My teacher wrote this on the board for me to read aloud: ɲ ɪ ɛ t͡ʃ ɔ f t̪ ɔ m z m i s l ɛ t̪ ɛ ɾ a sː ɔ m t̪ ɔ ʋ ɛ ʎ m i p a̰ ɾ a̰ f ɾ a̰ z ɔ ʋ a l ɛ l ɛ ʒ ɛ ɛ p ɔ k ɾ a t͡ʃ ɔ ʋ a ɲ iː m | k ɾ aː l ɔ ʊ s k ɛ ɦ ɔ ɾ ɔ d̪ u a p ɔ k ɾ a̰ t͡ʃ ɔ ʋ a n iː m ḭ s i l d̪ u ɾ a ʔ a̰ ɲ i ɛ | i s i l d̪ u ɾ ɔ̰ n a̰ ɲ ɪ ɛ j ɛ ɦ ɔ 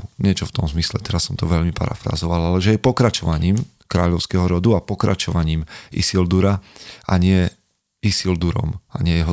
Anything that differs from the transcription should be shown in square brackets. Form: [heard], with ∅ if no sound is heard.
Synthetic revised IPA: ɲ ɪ ɛ t͡ʃ ɔ f t̪ ɔ m z m i s l ɛ t̪ ɛ ɾ a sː ɔ m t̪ ɔ ʋ ɛ ʎ m i p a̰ ɾ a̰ f ɾ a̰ z ɔ ʋ a l [a] l ɛ ʒ ɛ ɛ p ɔ k ɾ a t͡ʃ ɔ ʋ a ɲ iː m | k ɾ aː [ʎ] ɔ ʊ s k ɛ ɦ ɔ ɾ ɔ d̪ u a p ɔ k ɾ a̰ t͡ʃ ɔ ʋ a [ɲ] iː m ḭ s i l d̪ u ɾ a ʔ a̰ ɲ [ɪ] ɛ | i s i l d̪ u ɾ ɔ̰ [m] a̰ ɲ ɪ ɛ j ɛ ɦ ɔ